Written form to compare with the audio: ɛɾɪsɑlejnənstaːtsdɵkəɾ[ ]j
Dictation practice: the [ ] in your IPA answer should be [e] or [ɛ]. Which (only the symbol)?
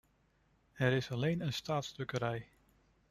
ɛ